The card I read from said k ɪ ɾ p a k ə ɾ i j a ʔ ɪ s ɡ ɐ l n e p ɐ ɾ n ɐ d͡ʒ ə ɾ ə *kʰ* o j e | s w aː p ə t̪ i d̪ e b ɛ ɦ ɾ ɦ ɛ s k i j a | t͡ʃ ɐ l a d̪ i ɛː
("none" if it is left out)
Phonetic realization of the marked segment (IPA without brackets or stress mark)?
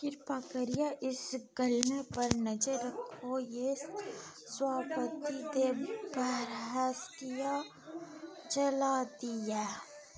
kʰ